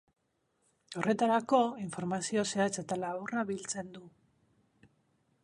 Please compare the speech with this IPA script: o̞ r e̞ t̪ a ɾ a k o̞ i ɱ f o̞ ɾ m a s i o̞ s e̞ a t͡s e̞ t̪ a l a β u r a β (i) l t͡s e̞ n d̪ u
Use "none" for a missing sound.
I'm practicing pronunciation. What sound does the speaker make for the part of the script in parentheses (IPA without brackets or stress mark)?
i